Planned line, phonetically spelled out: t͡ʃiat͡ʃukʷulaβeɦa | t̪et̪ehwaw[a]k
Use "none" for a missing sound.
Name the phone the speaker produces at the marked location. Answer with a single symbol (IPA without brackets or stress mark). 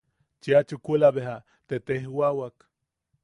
a